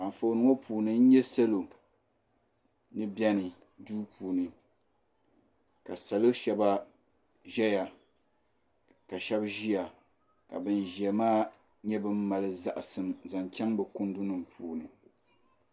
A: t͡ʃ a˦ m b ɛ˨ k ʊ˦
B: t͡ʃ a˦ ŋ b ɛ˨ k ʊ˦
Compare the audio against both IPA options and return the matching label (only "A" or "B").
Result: B